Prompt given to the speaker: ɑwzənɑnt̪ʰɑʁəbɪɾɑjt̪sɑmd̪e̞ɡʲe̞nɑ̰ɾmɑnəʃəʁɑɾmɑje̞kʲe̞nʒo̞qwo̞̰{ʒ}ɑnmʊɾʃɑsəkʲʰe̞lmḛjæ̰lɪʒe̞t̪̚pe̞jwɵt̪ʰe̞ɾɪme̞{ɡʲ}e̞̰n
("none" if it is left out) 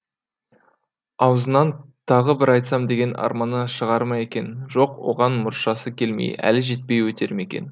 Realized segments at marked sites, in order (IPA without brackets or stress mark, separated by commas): ʁ, kʲ